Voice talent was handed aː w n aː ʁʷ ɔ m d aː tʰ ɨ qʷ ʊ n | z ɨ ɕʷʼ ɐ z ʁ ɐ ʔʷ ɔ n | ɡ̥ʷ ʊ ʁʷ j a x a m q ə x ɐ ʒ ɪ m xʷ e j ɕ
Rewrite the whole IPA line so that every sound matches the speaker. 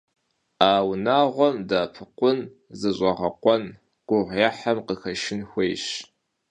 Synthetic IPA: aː w n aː ʁʷ ɔ m d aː pʰ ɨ qʷ ʊ n | z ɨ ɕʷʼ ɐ ʁ ɐ qʷ ɔ n | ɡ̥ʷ ʊ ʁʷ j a ħ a m q ə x ɐ ʃ ɪ n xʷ e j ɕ